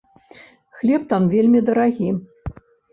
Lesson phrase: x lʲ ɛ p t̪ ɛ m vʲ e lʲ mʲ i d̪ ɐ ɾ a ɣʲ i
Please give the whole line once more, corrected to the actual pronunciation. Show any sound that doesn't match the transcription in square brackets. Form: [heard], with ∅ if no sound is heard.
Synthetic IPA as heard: x lʲ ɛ p t̪ [a] m vʲ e lʲ mʲ i d̪ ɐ ɾ a ɣʲ i